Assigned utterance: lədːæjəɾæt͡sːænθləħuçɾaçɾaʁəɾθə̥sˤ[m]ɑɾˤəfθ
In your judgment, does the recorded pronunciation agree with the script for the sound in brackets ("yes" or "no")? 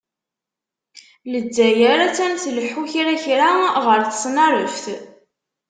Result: no